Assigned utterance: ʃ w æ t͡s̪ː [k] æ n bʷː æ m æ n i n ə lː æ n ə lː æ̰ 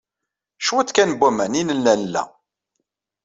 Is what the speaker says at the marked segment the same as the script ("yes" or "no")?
yes